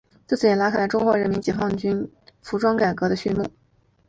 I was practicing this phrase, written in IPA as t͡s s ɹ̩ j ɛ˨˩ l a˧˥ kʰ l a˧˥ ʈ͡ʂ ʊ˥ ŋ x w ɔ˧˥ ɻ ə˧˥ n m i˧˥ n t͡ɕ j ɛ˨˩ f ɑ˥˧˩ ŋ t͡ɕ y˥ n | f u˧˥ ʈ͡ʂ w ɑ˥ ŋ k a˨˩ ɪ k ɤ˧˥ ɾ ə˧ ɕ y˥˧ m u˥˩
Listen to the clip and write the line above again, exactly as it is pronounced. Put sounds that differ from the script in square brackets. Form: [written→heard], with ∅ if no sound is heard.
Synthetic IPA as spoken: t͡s [s→t͡s] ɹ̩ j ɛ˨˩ l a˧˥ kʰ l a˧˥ ʈ͡ʂ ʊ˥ ŋ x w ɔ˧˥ ɻ ə˧˥ n m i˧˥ n t͡ɕ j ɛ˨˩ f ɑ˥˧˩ ŋ t͡ɕ y˥ n | f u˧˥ ʈ͡ʂ w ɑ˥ ŋ k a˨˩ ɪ k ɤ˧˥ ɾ ə˧ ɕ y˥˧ m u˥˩